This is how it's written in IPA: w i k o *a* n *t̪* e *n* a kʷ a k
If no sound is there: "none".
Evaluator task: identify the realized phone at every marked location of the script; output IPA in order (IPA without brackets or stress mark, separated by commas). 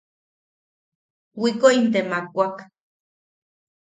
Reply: i, t̪, m